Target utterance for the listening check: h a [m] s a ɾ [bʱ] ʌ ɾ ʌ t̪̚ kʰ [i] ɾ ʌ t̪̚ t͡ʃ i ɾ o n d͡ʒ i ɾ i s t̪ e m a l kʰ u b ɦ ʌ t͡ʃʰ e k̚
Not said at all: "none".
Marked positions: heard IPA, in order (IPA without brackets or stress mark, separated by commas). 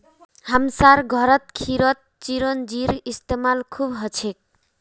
m, ɡʱ, i